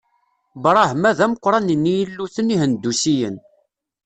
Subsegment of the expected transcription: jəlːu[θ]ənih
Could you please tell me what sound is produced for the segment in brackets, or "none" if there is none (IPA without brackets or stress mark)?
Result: θ